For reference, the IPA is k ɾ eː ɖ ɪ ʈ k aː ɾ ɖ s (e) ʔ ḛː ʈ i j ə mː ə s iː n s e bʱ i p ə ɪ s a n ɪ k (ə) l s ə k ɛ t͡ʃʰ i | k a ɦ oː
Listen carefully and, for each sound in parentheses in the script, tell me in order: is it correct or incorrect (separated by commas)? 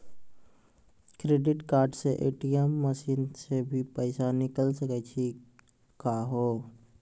correct, correct